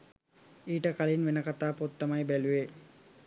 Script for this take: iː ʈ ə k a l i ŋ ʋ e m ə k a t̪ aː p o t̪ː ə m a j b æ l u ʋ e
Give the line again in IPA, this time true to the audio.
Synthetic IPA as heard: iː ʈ ə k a l i n ʋ e n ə k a t̪ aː p o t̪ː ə m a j b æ l u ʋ e